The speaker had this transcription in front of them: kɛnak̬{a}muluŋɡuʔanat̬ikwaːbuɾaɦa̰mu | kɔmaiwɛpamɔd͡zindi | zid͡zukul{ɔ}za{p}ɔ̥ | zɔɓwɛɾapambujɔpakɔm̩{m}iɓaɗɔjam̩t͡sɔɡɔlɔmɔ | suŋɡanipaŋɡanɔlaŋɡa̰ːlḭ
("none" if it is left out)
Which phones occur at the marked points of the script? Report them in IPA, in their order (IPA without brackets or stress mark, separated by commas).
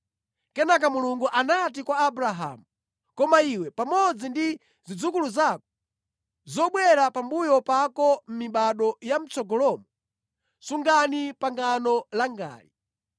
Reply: a, u, k, m